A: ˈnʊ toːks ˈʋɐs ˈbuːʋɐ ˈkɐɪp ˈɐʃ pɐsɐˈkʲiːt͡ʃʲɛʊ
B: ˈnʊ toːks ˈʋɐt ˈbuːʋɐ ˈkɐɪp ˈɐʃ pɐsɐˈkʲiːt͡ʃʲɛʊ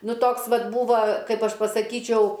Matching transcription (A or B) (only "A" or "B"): B